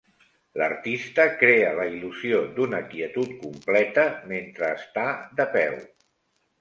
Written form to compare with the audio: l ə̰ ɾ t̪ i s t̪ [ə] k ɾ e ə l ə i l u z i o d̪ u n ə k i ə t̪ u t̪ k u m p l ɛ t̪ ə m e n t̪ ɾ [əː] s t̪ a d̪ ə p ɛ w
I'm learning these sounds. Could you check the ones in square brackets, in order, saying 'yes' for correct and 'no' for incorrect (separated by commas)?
yes, yes